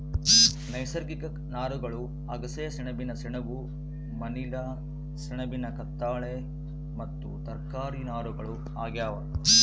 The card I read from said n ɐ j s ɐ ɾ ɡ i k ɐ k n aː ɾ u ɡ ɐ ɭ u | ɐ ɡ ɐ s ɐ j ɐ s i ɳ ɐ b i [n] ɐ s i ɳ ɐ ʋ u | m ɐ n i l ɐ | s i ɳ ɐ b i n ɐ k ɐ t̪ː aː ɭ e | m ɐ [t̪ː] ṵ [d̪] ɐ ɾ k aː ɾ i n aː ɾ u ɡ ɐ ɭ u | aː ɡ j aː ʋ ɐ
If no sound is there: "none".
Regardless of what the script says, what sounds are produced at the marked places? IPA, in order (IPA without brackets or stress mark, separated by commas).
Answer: n, t̪ː, t̪